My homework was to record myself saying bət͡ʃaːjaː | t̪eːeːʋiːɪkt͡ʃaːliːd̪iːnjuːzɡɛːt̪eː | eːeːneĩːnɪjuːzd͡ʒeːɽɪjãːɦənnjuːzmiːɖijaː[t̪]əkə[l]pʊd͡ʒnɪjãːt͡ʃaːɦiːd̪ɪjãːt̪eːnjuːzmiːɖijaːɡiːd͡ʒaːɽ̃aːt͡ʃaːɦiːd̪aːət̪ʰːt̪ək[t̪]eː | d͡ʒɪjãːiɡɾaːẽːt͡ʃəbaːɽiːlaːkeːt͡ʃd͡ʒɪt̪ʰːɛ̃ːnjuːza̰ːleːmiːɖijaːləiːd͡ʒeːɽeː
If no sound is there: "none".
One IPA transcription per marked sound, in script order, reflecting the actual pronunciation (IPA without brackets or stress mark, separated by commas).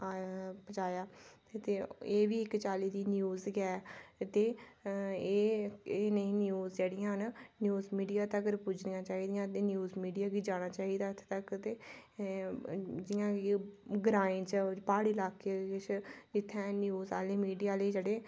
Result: t̪, ɾ, t̪